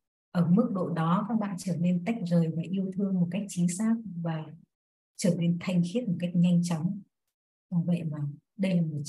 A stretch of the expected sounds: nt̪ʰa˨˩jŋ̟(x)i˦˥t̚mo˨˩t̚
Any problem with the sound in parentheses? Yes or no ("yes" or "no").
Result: no